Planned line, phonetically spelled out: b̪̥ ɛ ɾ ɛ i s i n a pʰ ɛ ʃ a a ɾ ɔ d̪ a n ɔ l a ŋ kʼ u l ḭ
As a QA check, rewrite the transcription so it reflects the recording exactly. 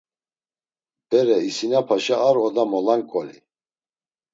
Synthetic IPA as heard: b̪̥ ɛ ɾ ɛ i s i n a pʰ a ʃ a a ɾ ɔ d̪ a m ɔ l a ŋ kʼ ɔ l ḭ